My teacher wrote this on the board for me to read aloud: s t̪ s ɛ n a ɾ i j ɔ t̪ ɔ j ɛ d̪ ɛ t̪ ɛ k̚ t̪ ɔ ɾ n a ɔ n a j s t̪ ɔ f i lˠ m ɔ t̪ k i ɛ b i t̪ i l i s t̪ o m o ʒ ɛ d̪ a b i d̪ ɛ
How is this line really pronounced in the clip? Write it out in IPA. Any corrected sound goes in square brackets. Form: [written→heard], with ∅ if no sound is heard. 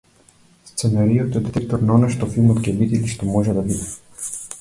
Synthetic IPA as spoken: s t̪ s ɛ n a ɾ i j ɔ t̪ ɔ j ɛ d̪ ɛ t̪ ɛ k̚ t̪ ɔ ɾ n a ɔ n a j [s→ʃ] t̪ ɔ f i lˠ m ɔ t̪ k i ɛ b i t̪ i l i [s→ʃ] t̪ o m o ʒ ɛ d̪ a b i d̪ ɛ